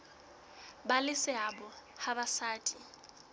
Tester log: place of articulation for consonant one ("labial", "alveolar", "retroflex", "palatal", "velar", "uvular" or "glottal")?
labial